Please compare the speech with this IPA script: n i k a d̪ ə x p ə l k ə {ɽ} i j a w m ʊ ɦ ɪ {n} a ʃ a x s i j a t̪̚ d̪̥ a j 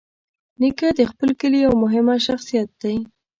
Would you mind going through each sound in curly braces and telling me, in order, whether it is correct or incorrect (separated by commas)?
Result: incorrect, incorrect